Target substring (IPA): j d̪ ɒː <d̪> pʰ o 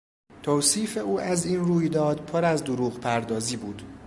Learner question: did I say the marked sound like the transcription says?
yes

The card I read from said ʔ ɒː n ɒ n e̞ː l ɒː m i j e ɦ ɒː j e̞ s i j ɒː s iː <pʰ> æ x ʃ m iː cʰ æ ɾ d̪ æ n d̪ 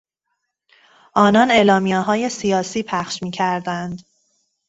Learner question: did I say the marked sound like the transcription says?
yes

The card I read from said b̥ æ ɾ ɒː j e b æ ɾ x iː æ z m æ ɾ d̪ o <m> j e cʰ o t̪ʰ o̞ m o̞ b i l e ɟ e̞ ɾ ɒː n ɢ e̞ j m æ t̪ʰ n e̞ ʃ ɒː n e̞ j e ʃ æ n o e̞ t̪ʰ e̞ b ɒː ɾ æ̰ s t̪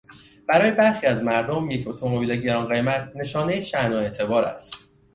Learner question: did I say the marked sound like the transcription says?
yes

